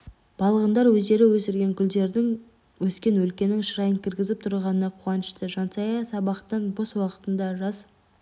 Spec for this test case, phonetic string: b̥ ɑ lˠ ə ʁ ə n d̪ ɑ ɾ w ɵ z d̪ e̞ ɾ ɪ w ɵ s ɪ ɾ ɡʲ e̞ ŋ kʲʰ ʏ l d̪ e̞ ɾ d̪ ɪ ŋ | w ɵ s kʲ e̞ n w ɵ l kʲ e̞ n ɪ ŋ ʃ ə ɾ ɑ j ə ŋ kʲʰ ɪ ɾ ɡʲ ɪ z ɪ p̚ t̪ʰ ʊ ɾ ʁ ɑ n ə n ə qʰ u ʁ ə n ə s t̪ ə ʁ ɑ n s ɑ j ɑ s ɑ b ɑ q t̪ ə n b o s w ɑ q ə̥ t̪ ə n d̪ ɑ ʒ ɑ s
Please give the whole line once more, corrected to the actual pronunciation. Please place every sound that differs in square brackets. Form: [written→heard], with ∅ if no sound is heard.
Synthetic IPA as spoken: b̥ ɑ lˠ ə ʁ ə n d̪ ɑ ɾ w ɵ z d̪ e̞ ɾ ɪ w ɵ s ɪ ɾ ɡʲ e̞ ŋ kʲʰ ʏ l d̪ e̞ ɾ d̪ ɪ ŋ | w ɵ s kʲ e̞ n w ɵ l kʲ e̞ n ɪ ŋ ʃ ə ɾ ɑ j ə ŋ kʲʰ ɪ ɾ ɡʲ ɪ z ɪ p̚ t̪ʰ ʊ ɾ ʁ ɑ n ə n [ə→ɑ] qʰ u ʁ [ə→ɑ] n ə [s→ʃ] t̪ ə [ʁ→ʒ] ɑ n s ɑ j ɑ s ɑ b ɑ q t̪ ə n b o s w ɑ q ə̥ t̪ ə n d̪ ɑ ʒ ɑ s